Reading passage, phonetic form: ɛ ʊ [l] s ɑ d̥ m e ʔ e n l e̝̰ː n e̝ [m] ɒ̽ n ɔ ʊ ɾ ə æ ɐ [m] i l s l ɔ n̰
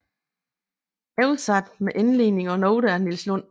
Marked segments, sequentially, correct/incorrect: correct, incorrect: ŋ, incorrect: n

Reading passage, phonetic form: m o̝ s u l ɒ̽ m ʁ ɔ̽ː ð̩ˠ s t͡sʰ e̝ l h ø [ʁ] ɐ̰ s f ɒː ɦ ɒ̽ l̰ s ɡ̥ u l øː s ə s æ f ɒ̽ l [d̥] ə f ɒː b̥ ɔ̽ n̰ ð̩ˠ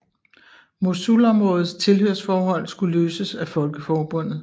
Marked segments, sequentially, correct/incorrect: incorrect: none, incorrect: ɡ̥

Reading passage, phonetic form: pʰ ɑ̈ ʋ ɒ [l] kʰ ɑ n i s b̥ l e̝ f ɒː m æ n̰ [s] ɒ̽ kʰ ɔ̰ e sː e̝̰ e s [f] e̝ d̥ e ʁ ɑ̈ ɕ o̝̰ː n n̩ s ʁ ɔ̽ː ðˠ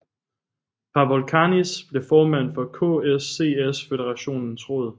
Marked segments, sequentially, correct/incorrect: correct, incorrect: f, correct

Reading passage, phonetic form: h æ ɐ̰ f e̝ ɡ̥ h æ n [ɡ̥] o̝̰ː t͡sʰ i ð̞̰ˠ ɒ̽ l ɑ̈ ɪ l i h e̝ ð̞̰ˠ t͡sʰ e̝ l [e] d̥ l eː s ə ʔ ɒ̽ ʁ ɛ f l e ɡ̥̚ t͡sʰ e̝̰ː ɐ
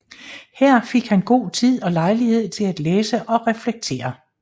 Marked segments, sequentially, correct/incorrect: correct, incorrect: æ

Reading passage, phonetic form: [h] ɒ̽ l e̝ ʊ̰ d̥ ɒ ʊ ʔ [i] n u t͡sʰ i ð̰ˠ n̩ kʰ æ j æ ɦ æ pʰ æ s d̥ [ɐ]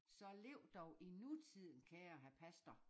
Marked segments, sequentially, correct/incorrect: incorrect: s, correct, correct

